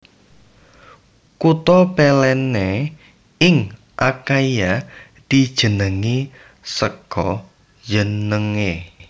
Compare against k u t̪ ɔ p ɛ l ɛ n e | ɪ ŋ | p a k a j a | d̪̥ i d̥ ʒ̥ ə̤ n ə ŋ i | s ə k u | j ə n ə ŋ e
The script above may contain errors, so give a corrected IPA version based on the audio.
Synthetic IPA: k u t̪ ɔ p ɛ l ɛ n e | ɪ ŋ | ʔ a k a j a | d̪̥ i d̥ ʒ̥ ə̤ n ə ŋ i | s ə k ɔ | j ə n ə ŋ e